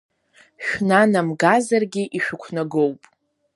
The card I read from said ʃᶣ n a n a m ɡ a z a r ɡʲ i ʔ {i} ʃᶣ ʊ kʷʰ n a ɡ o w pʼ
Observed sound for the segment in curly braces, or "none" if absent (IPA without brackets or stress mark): i